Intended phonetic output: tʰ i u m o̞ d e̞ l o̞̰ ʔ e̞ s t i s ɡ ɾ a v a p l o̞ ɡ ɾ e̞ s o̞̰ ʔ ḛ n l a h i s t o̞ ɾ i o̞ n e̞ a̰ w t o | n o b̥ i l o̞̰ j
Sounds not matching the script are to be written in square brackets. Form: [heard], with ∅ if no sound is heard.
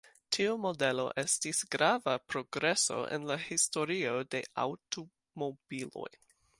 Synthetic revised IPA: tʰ i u m o̞ d e̞ l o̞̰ ʔ e̞ s t i s ɡ ɾ a v a p [ɾ] o̞ ɡ ɾ e̞ s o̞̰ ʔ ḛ n l a h i s t o̞ ɾ i o̞ [d] e̞ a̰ w t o | [m] o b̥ i l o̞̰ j